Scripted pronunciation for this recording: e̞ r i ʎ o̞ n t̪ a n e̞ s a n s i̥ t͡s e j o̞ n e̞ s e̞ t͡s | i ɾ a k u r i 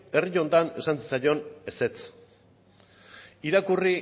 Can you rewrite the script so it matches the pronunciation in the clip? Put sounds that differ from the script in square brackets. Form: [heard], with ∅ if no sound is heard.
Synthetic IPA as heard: e̞ r i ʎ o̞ n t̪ a n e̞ s a n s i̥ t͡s [a] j o̞ n e̞ s e̞ t͡s | i ɾ a k u r i

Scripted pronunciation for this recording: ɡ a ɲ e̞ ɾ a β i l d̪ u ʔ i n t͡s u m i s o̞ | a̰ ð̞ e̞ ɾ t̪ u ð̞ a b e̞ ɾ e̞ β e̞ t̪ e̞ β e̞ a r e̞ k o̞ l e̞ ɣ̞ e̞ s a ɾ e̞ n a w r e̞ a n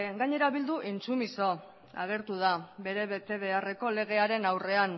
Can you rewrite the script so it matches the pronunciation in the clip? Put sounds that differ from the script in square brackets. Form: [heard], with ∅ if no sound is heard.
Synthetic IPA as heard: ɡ a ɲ e̞ ɾ a β i l d̪ u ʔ i n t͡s u m i s o̞ | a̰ [ɣ̞] e̞ ɾ t̪ u ð̞ a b e̞ ɾ e̞ β e̞ t̪ e̞ β e̞ a r e̞ k o̞ l e̞ ɣ̞ e̞ [∅] a ɾ e̞ n a w r e̞ a n

